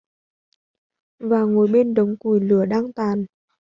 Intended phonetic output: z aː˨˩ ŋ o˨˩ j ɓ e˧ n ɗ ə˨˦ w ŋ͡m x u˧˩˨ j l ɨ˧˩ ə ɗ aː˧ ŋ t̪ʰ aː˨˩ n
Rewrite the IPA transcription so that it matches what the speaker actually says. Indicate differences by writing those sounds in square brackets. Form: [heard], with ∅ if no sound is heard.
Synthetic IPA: [v] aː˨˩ ŋ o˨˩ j ɓ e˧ n ɗ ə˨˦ w ŋ͡m [k] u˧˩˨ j l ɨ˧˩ ə ɗ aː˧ ŋ [t̪] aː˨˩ n